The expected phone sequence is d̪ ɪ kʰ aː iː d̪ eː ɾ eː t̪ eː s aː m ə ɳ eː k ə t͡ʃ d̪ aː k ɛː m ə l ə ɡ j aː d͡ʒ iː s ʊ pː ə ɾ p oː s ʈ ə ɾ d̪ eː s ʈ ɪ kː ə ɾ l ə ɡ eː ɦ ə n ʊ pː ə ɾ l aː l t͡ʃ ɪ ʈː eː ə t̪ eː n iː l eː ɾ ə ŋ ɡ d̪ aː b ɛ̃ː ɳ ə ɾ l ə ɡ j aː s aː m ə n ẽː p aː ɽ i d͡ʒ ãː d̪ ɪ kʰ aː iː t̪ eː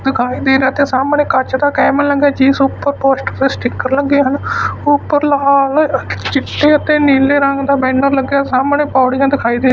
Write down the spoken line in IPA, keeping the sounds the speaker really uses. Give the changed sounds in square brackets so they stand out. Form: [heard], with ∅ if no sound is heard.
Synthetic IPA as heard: d̪ ɪ kʰ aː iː d̪ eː ɾ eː t̪ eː s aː m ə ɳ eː k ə t͡ʃ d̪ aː k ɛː m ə l ə ɡ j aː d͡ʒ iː s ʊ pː ə ɾ p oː s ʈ ə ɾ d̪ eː s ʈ ɪ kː ə ɾ l ə ɡ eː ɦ ə n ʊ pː ə ɾ l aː l t͡ʃ ɪ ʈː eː ə t̪ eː n iː l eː ɾ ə ŋ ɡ d̪ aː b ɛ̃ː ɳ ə ɾ l ə ɡ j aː s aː m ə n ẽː p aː ɽ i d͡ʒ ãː d̪ ɪ kʰ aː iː [d̪] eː